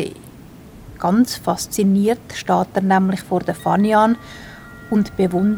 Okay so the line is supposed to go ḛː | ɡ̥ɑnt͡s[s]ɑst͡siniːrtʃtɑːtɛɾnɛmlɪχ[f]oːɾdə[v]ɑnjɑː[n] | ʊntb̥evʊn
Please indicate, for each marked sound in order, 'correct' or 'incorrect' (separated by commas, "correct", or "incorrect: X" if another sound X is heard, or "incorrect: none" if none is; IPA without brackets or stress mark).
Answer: incorrect: f, correct, incorrect: f, correct